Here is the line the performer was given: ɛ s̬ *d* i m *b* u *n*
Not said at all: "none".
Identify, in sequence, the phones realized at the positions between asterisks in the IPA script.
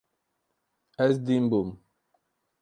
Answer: d, b, m

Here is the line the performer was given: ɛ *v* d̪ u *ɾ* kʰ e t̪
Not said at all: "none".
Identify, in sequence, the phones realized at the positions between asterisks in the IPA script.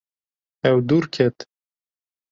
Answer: w, ɾ

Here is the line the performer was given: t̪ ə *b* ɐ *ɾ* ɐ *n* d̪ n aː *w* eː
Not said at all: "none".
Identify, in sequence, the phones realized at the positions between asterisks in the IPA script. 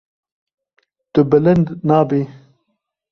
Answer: b, l, n, b

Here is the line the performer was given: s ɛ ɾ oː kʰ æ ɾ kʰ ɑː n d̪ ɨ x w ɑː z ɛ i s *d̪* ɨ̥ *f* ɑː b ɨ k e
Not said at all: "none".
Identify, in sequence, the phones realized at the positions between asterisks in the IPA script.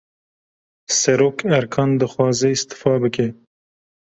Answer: t̪, f

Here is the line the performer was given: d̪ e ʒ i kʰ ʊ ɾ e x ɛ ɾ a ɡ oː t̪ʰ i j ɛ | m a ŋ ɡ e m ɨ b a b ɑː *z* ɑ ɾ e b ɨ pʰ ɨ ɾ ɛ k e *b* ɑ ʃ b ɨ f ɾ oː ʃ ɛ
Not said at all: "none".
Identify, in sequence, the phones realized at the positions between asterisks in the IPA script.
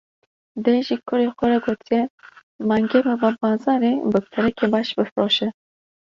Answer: z, b

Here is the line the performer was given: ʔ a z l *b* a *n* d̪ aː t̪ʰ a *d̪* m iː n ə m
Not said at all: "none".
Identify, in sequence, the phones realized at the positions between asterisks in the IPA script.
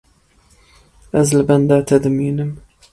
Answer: b, n, d̪

